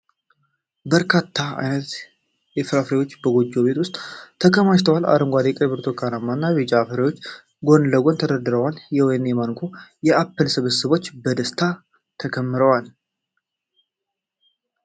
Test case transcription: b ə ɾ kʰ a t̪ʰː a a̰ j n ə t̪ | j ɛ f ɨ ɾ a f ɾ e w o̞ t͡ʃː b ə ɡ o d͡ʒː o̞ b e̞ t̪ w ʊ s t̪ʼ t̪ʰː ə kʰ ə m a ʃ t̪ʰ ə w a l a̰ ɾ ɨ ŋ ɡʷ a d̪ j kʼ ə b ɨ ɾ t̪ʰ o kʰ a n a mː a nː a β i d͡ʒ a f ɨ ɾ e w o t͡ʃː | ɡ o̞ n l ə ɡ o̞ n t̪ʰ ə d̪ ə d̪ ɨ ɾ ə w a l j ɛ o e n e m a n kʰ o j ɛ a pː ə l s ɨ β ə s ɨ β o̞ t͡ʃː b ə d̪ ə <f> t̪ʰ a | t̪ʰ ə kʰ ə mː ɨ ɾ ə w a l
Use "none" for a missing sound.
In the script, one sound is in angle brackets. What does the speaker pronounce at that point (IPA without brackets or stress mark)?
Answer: s